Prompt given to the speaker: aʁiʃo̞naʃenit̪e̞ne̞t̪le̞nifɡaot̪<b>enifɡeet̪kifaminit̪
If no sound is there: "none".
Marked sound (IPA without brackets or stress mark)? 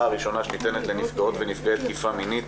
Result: v